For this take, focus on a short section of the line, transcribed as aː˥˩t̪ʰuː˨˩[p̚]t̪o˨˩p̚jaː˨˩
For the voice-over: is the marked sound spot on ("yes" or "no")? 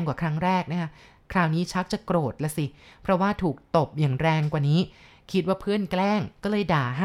no